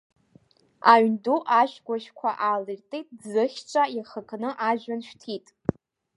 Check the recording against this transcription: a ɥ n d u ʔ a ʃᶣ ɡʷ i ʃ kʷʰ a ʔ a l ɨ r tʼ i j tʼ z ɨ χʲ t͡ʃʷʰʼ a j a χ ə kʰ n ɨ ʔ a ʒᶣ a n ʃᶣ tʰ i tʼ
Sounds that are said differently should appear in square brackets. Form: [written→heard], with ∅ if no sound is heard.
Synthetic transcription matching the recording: a ɥ n d u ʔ a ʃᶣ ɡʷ [i→a] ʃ kʷʰ a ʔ a l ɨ r tʼ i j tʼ z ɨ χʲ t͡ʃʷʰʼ a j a χ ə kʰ n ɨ ʔ a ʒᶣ a n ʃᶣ tʰ i tʼ

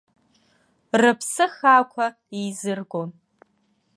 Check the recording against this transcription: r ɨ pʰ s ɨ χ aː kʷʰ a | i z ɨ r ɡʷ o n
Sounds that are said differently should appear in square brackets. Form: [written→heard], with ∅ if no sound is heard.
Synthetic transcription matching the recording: r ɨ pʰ s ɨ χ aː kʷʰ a | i z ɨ r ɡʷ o n

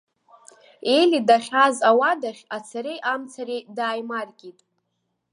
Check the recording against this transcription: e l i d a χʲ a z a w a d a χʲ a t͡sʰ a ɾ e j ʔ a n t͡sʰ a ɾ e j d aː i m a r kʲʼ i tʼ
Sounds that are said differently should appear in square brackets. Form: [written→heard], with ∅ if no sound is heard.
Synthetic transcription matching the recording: e l i d a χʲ a z a w a d a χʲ a t͡sʰ a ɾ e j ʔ a [n→m] t͡sʰ a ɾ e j d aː [i→j] m a r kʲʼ i tʼ

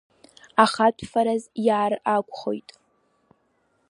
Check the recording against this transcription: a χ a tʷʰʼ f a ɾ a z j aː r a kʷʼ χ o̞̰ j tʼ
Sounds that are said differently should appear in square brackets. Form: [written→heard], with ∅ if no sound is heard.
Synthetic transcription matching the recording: a χ a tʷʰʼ f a ɾ a z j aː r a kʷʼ χ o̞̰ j tʼ

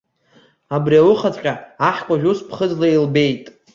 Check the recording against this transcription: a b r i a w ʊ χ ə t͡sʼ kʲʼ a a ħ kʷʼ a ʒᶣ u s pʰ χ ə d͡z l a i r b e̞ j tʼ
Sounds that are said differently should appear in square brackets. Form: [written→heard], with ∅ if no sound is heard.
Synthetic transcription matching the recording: a b r i a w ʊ χ [ə→a] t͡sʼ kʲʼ a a ħ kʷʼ a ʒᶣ u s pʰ χ ə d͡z l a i [r→l] b e̞ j tʼ

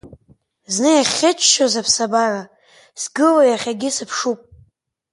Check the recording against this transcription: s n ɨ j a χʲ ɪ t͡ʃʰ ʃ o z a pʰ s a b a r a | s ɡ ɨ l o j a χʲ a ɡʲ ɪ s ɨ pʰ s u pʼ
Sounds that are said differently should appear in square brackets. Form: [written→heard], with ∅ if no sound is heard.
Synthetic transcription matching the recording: [s→z] n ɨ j a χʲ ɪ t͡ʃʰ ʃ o z a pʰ s a b a r a | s ɡ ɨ l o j a χʲ a ɡʲ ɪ s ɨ pʰ [s→ʂ] u pʼ

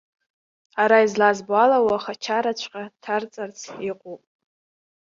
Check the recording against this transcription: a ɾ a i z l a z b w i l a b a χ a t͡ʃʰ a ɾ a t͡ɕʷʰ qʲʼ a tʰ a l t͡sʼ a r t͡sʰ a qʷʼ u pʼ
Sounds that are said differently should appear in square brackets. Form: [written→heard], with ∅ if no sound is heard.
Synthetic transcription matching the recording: a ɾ a i z l a z b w [i→a] l a [b→w] a χ a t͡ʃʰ a ɾ a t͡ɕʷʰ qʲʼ a tʰ a [l→r] t͡sʼ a r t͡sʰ [a→i] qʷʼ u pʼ

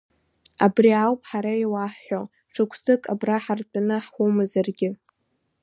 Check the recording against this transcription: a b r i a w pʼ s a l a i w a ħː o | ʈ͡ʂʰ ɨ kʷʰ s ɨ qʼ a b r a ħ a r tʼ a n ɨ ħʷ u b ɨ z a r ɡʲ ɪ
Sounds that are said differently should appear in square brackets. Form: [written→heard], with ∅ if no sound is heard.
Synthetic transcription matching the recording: a b r i a w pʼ [s→ħ] a [l→ɾ] a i w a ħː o | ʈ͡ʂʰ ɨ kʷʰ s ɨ [qʼ→kʼ] a b r a ħ a r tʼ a n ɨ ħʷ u [b→m] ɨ z a r ɡʲ ɪ

